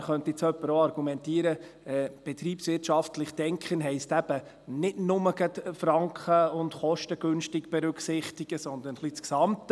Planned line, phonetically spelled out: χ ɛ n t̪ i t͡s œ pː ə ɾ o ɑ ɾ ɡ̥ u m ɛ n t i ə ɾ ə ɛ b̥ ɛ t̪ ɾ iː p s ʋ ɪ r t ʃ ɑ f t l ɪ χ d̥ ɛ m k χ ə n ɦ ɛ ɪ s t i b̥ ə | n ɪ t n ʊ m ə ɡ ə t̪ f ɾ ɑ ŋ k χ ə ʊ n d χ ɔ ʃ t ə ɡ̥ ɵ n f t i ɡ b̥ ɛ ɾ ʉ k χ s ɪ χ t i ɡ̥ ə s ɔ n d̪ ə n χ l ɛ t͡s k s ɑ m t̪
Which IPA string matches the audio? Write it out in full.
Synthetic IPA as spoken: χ œ n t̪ i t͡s œ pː ə ɾ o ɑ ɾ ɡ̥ u m ɛ n t i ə ɾ ə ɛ b̥ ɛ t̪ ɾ iː p s ʋ ɪ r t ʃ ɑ f t l ɪ χ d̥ ɛ ŋ k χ ə n ɦ ɛ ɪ s t æ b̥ ə | n ɪ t n ʊ m ə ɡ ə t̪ f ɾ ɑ ŋ k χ ə ʊ n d χ ɔ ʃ t ə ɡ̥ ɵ n ʃ t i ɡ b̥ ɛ ɾ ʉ k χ s ɪ χ t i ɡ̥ ə s ɔ n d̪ ə n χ l i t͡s k s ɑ m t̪